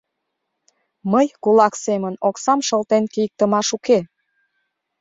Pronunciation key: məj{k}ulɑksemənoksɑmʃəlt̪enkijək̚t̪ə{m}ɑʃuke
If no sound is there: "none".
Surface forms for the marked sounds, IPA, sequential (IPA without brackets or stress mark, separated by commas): k, m